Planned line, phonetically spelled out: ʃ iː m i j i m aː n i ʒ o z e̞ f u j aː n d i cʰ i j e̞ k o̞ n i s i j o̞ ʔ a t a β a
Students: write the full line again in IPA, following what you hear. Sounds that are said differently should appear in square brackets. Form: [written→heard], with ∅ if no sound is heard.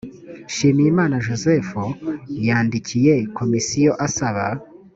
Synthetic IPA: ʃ iː m i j i m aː n [i→a] ʒ o z e̞ f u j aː n d i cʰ i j e̞ k o̞ [n→m] i s i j o̞ ʔ a [t→s] a β a